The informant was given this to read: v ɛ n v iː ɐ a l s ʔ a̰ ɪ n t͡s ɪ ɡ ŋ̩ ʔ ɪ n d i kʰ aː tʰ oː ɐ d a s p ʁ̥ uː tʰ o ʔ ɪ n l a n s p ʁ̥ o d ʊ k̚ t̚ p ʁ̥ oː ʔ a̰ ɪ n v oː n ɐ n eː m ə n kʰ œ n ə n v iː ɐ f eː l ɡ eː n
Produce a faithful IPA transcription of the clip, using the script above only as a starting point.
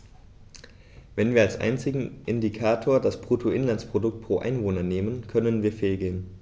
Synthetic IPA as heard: v ɛ n v iː ɐ a l s ʔ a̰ ɪ n t͡s ɪ ɡ ŋ̩ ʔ ɪ n d i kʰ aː tʰ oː ɐ d a s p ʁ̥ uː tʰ o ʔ ɪ n l a n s p ʁ̥ o d ʊ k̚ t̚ p ʁ̥ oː ʔ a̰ ɪ n v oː n ɐ n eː m ə n kʰ œ n ə n v iː ɐ f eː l ɡ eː n